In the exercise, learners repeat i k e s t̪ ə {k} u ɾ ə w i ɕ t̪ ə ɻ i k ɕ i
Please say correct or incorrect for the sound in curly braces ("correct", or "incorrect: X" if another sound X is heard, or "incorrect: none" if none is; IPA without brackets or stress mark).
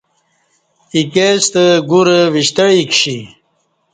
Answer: incorrect: ɡ